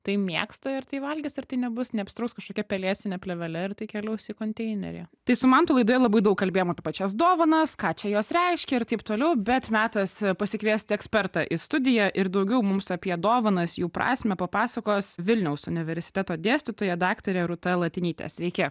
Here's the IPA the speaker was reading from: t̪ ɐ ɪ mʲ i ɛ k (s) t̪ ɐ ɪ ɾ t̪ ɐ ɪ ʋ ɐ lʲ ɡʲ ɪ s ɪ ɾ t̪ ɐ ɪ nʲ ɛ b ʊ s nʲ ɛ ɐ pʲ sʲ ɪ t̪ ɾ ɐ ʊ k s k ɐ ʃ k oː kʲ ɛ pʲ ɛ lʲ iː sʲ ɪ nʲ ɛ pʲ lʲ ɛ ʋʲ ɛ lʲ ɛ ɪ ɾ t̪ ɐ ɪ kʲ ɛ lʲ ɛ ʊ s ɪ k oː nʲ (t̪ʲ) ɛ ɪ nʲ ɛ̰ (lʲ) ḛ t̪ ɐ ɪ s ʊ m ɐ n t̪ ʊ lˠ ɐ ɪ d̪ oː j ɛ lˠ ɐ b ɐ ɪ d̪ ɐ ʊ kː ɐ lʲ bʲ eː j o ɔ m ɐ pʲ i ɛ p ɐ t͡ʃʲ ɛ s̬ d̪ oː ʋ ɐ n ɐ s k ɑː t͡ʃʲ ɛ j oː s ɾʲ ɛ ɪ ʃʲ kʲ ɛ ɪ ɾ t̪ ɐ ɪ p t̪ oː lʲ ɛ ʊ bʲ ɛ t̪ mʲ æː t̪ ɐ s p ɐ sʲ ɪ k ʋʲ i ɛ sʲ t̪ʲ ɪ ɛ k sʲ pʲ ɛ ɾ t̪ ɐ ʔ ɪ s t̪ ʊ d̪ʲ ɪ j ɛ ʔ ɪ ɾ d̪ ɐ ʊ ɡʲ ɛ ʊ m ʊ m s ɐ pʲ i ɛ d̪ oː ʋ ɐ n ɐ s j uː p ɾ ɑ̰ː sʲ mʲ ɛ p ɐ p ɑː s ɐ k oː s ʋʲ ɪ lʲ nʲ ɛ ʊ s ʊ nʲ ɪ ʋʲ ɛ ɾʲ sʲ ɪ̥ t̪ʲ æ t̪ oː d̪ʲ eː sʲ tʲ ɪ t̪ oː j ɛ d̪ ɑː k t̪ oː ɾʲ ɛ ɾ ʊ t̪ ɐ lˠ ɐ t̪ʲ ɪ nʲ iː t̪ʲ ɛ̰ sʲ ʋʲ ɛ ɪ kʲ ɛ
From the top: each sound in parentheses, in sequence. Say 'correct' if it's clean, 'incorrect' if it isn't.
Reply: correct, correct, incorrect

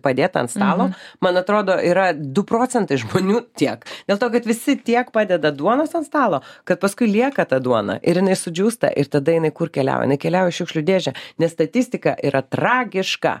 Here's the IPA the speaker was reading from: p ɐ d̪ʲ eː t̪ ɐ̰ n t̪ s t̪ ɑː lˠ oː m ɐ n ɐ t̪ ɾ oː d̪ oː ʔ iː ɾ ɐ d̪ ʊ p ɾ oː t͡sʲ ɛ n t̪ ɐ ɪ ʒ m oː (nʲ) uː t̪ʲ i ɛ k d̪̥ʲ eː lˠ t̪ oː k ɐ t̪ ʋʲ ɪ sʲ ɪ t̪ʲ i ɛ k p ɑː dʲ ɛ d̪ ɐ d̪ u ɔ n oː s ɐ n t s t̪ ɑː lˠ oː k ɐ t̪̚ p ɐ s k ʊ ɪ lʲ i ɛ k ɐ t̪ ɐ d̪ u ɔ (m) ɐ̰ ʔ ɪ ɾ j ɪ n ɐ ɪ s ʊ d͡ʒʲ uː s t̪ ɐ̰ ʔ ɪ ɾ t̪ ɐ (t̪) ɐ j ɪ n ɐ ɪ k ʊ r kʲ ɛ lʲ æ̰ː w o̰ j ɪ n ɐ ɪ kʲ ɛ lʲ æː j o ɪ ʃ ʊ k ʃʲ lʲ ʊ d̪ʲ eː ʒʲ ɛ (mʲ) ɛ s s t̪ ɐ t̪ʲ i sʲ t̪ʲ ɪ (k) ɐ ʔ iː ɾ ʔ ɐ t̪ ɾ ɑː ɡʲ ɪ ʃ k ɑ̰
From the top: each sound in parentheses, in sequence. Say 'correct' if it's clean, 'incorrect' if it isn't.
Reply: correct, incorrect, incorrect, incorrect, correct

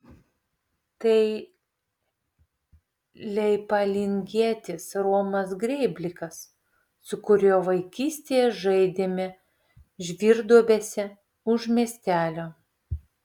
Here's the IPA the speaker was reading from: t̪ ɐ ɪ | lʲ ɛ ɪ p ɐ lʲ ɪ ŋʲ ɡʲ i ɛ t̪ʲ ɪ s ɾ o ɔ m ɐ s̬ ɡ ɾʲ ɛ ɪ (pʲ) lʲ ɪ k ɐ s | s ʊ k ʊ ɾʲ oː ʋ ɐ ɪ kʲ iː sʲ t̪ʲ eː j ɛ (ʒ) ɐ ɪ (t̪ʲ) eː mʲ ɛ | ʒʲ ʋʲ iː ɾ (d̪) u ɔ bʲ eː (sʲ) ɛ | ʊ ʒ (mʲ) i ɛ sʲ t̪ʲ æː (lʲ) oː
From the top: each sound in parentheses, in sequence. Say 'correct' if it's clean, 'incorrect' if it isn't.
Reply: incorrect, correct, incorrect, correct, correct, correct, correct

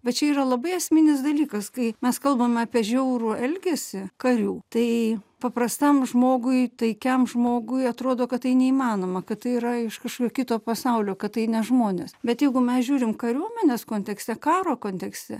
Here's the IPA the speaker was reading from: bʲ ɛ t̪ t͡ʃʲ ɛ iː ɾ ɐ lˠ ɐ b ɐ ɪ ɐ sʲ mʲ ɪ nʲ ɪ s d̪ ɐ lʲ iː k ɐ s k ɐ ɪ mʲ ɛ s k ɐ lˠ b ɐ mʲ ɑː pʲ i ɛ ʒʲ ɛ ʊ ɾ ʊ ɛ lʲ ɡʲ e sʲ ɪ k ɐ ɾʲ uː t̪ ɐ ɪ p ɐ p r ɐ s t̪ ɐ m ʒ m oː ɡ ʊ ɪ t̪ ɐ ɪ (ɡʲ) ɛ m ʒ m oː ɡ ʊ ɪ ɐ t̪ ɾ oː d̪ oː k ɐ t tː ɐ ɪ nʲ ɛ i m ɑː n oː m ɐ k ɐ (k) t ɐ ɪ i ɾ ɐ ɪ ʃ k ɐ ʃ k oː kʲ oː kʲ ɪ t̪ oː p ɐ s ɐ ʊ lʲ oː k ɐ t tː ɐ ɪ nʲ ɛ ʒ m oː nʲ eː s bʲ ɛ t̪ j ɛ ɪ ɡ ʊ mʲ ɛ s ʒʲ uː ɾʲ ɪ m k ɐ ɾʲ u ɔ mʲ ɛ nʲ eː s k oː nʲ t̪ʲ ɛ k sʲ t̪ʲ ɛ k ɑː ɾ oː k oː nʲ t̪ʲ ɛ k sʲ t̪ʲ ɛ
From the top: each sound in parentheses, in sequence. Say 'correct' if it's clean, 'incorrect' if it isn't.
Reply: incorrect, incorrect

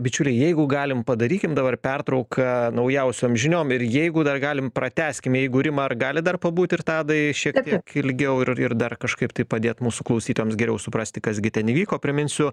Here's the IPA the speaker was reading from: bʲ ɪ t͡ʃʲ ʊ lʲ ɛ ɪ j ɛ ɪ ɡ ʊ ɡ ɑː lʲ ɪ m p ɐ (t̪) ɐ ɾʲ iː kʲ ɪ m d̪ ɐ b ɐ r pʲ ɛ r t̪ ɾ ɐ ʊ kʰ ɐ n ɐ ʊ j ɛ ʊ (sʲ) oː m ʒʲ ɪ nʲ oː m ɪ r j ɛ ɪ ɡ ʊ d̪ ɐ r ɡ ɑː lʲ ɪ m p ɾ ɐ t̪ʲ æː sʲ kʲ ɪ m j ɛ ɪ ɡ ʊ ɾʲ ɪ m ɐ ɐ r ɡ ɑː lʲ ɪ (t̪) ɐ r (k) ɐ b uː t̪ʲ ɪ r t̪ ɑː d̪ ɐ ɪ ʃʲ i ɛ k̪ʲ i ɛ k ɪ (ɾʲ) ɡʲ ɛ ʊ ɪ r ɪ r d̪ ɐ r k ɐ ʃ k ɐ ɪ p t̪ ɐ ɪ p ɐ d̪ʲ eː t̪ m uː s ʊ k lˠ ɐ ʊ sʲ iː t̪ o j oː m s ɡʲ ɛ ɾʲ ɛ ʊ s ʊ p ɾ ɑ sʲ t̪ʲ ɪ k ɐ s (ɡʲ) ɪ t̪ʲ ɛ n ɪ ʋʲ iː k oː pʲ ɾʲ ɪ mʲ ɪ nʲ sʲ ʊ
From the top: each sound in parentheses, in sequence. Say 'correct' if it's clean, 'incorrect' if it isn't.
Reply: incorrect, correct, incorrect, incorrect, incorrect, correct

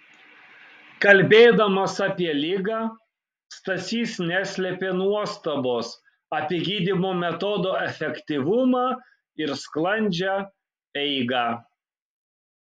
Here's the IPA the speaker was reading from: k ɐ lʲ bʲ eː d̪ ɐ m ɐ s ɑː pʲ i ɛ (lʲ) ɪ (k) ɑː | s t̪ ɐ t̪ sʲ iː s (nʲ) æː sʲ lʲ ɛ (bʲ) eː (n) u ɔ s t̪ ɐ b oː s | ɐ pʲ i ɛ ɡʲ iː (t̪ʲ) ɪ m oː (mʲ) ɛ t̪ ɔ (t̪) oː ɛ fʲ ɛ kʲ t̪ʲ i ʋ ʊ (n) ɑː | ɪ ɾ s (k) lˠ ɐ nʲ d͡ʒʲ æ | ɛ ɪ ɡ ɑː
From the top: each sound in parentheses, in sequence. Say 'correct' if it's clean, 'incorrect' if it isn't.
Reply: correct, incorrect, correct, incorrect, correct, incorrect, correct, incorrect, incorrect, correct

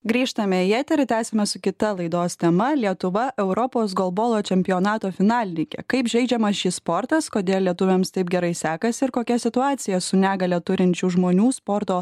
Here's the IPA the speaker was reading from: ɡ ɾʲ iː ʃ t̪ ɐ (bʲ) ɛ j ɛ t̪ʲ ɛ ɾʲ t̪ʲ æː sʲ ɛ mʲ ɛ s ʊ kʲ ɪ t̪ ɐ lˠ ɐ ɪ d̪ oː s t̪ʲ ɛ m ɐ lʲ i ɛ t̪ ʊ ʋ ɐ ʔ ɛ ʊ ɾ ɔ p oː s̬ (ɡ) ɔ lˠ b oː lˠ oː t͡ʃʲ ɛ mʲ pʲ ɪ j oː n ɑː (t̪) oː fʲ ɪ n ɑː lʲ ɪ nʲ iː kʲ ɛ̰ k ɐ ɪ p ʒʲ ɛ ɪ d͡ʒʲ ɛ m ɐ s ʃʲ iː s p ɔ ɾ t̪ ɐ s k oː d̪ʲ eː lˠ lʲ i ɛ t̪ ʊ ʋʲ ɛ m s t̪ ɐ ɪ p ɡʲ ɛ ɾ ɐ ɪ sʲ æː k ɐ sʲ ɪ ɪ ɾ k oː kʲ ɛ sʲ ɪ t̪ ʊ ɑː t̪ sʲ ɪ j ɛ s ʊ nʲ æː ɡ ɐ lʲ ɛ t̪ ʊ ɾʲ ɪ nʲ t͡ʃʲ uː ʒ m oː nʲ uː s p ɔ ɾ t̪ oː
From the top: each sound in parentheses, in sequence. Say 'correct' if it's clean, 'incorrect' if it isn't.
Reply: incorrect, correct, correct

